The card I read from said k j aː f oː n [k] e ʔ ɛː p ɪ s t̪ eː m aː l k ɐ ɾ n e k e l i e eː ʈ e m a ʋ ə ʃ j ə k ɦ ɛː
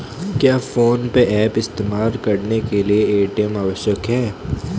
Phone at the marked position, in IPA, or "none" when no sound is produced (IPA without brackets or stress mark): p